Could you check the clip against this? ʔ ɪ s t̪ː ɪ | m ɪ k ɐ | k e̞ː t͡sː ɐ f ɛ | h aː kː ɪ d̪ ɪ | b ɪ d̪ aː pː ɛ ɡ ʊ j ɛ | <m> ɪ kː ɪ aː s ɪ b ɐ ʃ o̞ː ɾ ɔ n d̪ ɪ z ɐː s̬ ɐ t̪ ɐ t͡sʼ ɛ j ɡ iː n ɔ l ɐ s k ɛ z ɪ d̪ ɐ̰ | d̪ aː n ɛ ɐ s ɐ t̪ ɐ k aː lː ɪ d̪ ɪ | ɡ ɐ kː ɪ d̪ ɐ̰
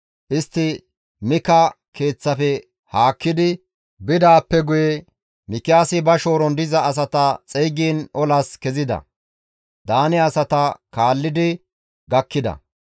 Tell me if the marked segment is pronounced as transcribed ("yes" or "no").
yes